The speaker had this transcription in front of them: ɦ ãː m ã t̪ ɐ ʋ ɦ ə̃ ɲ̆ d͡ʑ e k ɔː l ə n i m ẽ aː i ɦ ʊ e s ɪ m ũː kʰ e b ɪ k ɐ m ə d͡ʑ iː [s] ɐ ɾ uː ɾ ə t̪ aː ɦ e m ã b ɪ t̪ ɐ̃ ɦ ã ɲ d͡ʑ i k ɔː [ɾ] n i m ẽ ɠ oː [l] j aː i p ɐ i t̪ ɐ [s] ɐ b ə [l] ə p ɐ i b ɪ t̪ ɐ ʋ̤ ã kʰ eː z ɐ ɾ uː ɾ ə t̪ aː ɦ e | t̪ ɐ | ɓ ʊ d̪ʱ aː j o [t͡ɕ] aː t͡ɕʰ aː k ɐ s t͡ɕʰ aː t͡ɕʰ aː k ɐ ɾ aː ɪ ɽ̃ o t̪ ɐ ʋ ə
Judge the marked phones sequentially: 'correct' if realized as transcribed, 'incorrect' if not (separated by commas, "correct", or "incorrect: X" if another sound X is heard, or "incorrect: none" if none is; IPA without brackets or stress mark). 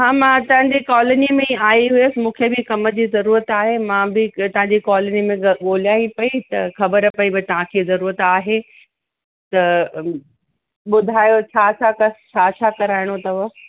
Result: incorrect: z, incorrect: l, correct, incorrect: x, incorrect: ɾ, incorrect: t͡ɕʰ